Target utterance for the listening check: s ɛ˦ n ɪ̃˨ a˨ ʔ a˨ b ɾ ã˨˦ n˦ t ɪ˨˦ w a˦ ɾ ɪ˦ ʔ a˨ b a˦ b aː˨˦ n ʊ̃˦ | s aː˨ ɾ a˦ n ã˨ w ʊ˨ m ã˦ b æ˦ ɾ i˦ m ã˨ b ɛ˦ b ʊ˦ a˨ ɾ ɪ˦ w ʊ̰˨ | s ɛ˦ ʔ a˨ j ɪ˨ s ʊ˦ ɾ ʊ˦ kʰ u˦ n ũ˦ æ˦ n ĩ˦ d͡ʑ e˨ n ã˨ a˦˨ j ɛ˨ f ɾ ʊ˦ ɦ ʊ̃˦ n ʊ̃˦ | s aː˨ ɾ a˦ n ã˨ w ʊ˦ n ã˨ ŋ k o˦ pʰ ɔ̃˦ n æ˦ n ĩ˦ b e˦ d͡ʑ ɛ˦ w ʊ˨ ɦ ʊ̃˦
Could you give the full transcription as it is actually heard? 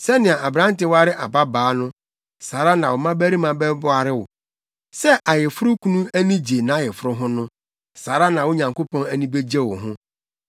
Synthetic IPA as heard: s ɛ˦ n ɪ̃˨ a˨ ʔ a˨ b ɾ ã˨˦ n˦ t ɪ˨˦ w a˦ ɾ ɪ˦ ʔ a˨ b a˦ b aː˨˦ n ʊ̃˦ | s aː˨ ɾ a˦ n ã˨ w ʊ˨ m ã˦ b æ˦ ɾ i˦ m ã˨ b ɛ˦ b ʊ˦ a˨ ɾ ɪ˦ w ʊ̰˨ | s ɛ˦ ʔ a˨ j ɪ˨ f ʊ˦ ɾ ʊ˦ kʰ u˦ n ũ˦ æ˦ n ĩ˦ d͡ʑ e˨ n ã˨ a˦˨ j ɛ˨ f ɾ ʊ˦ ɦ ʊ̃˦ n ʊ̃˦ | s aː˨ ɾ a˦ n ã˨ w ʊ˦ ɲ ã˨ ŋ k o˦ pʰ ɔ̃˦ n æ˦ n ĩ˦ b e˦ d͡ʑ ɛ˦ w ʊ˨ ɦ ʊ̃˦